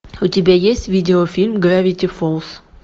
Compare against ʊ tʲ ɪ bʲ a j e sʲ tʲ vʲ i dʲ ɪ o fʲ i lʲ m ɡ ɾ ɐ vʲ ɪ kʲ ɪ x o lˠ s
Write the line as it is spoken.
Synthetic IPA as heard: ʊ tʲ ɪ bʲ a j e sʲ tʲ vʲ i dʲ ɪ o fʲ i lʲ m ɡ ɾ a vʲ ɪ tʲ ɪ f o lˠ s